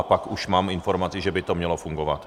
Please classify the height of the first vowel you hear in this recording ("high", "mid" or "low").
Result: low